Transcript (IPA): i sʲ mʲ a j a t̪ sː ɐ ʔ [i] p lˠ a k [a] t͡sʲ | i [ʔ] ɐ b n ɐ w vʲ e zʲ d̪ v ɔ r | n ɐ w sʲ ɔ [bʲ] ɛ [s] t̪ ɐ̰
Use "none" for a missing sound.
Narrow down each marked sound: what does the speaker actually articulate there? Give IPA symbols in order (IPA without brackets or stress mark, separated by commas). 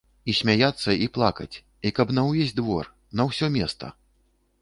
i, ɐ, k, mʲ, s